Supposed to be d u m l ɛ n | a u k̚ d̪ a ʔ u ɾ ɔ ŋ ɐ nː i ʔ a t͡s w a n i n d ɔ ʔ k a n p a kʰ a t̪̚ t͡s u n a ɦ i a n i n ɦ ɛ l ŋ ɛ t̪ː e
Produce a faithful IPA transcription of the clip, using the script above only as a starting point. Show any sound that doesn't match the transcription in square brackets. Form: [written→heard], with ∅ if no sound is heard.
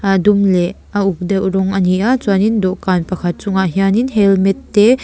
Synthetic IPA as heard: d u m l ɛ [n→∅] | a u k̚ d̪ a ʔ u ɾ ɔ ŋ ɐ [nː→n] i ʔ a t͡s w a n i n d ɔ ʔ k a n p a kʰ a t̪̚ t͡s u [n→ŋ] a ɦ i a n i n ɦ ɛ l [ŋ→m] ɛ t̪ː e

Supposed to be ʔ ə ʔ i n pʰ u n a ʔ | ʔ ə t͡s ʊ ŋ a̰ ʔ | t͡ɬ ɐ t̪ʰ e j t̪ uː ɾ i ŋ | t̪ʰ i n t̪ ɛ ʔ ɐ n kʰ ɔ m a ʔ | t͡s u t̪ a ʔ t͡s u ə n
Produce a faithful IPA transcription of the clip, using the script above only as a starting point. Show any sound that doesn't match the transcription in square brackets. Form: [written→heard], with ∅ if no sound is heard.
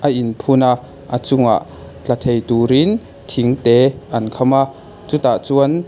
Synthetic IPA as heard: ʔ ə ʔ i n pʰ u n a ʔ | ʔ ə t͡s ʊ ŋ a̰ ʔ | t͡ɬ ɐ t̪ʰ e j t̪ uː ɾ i [ŋ→n] | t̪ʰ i [n→ŋ] t̪ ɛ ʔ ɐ n kʰ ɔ m a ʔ | t͡s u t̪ a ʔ t͡s u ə n

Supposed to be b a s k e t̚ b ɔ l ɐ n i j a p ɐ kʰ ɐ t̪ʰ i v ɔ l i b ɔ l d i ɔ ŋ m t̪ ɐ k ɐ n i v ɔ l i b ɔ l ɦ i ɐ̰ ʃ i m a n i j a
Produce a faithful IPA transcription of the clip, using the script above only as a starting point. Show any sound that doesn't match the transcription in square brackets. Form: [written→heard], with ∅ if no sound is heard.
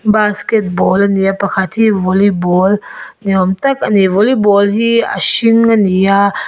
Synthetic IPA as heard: b a s k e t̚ b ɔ l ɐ n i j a p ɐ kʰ [ɐ→a] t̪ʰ i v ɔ l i b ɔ l [d→n] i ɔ [ŋ→∅] m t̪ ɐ k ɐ n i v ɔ l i b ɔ l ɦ i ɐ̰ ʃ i [m→ŋ] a n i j a

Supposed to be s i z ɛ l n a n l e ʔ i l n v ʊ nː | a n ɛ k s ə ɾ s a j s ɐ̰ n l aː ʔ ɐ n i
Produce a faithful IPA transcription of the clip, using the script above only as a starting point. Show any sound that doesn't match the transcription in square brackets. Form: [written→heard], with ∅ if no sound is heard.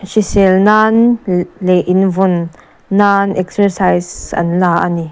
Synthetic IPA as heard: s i [z→s] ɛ l n a n l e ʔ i [l→∅] n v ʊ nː | a n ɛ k s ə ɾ s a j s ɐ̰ n l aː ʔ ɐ n i

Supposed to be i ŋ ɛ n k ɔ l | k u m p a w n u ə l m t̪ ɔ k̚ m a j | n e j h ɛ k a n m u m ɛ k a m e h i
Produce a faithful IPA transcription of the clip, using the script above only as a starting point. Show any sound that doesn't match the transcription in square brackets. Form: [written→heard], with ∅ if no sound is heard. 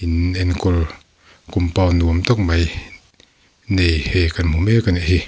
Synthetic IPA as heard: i [ŋ→n] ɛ n k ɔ l | k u m p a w n u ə [l→∅] m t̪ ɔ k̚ m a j | n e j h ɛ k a n m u m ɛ k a [m→n] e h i

